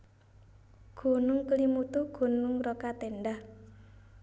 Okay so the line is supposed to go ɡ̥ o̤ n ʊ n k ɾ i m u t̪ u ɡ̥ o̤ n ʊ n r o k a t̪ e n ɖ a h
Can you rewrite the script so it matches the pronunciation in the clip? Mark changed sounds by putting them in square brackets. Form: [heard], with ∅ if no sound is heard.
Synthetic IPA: ɡ̥ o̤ n ʊ [ŋ] k [l] i m u t̪ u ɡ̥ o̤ n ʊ [ŋ] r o k a t̪ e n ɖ a h